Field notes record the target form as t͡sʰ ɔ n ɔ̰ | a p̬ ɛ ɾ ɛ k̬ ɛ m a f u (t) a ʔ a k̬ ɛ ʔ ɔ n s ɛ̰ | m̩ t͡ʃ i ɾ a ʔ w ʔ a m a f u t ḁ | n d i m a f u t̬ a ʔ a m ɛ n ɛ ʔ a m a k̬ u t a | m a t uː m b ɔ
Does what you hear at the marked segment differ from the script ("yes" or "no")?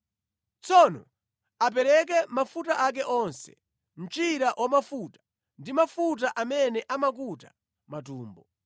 no